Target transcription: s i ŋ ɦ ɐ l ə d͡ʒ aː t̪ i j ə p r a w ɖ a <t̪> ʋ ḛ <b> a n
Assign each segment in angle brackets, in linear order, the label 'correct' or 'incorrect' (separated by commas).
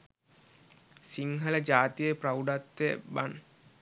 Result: correct, correct